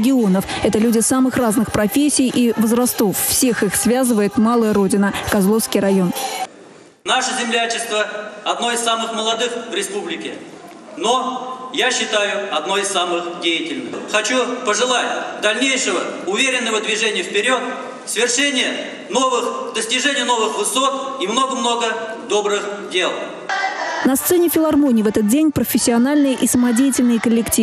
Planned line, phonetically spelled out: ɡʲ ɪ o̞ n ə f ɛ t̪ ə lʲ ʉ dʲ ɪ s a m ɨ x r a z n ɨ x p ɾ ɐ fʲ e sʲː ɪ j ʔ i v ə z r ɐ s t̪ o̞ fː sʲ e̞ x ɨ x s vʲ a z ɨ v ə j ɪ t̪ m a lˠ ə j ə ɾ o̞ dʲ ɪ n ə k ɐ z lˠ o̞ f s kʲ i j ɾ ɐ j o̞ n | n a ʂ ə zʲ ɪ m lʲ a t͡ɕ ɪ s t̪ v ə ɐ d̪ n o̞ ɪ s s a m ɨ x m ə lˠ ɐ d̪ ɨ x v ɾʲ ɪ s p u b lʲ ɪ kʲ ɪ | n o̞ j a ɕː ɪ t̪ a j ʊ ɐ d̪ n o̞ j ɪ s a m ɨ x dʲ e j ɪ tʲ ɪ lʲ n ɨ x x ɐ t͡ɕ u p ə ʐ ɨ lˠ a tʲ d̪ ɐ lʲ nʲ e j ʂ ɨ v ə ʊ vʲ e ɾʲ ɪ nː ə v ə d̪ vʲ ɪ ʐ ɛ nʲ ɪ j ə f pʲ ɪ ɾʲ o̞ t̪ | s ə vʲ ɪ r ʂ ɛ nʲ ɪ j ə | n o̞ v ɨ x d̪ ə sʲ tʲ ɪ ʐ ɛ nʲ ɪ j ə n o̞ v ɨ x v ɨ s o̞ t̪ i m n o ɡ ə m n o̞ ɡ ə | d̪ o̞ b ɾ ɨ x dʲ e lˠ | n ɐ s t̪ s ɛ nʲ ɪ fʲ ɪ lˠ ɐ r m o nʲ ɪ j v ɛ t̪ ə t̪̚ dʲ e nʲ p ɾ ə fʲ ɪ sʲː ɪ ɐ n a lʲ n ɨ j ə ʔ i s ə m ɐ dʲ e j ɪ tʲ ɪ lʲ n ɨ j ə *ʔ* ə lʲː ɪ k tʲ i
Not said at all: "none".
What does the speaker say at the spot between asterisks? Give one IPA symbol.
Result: k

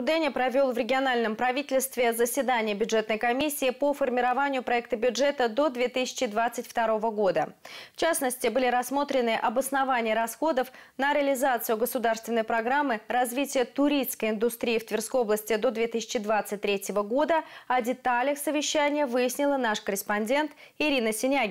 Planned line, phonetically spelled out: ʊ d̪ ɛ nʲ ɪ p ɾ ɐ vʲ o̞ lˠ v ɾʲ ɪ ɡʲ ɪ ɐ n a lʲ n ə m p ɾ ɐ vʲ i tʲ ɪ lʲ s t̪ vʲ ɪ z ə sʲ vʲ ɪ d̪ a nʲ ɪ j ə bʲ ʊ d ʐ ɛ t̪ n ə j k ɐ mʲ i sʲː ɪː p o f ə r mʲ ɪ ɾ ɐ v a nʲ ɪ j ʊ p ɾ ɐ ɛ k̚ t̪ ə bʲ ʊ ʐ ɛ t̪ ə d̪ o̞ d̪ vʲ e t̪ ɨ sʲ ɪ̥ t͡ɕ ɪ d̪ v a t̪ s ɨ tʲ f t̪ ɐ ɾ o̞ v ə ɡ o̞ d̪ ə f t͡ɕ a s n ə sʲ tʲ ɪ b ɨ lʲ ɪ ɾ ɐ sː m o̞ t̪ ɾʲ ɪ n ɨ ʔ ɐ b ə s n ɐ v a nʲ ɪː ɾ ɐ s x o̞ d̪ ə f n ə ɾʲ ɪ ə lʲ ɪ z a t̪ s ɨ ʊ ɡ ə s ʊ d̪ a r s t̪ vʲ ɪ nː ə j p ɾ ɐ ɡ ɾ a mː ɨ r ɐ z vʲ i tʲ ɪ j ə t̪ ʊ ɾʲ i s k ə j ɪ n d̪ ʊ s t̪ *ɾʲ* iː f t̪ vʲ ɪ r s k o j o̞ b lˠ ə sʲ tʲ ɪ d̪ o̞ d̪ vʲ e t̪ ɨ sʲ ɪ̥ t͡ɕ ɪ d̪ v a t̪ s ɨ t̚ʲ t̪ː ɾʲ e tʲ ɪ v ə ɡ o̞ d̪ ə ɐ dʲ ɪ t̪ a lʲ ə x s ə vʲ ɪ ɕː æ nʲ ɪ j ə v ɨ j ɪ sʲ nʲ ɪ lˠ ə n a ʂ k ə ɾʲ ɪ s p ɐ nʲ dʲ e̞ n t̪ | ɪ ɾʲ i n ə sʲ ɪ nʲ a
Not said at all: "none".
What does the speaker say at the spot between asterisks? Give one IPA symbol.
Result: ɾʲ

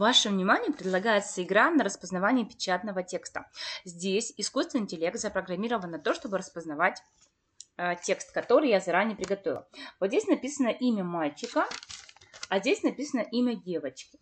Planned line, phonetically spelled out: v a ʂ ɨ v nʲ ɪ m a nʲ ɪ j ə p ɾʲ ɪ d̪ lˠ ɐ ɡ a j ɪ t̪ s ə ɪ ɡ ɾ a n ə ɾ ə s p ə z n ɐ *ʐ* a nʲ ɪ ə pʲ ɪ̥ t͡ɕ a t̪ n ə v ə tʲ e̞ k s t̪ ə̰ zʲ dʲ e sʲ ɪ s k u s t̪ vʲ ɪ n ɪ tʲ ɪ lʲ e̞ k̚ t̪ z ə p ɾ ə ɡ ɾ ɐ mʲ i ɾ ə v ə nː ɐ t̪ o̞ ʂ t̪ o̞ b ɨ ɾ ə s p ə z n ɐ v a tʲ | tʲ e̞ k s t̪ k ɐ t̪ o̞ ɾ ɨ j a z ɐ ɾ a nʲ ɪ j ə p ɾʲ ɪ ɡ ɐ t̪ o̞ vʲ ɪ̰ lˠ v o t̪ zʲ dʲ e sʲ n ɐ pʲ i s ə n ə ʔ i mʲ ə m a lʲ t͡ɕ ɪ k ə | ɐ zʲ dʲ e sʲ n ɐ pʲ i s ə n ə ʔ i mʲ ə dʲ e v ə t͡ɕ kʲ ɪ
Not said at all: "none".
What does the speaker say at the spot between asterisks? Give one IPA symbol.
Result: v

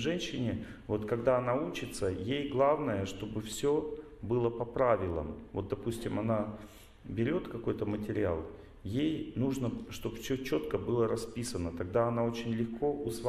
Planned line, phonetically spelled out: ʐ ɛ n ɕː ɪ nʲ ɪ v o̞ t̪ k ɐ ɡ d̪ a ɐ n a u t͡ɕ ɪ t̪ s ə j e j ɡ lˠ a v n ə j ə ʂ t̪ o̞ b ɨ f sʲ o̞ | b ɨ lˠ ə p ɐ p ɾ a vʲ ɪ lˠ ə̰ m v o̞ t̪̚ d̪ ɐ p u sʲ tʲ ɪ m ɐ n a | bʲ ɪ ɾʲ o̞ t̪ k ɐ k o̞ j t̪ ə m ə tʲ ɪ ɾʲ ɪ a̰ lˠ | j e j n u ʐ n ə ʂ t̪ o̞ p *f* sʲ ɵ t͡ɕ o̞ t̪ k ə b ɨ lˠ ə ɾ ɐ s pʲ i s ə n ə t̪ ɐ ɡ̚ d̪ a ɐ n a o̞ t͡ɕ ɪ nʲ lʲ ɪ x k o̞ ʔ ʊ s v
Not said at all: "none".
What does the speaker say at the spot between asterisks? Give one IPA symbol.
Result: f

